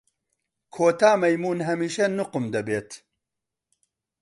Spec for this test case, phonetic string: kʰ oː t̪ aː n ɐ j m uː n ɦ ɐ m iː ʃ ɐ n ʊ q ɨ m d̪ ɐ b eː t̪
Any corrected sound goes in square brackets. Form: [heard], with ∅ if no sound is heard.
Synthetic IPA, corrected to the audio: kʰ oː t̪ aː [m] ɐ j m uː n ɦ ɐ m iː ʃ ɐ n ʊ q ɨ m d̪ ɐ b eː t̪